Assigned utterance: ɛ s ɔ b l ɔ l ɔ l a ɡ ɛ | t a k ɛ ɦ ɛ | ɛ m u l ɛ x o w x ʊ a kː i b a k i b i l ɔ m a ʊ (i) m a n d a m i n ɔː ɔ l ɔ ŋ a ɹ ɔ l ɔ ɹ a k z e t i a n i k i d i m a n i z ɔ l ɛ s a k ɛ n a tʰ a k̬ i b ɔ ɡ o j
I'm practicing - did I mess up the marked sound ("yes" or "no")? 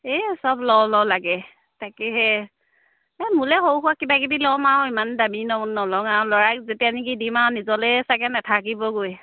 no